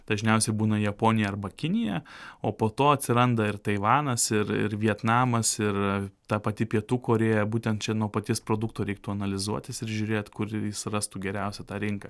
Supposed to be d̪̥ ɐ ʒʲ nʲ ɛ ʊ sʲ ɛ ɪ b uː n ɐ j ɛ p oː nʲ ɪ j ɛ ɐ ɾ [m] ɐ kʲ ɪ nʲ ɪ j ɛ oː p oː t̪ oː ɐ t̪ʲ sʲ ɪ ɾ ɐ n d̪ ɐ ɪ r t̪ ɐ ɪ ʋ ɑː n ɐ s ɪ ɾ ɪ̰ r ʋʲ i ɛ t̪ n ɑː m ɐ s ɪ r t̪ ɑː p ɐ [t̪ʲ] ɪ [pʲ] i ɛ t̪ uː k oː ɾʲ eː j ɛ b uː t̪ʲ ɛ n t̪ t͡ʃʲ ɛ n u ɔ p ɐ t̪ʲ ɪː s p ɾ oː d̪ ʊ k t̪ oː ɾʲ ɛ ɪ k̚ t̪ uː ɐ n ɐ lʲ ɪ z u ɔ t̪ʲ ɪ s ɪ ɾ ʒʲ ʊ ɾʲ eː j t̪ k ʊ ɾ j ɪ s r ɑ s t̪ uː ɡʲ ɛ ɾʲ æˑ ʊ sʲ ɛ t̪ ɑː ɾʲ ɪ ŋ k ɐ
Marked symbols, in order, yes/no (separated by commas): no, yes, yes